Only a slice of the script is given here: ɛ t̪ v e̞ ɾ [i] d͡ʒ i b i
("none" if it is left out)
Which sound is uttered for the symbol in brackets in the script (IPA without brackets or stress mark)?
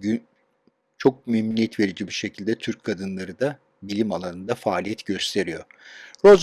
i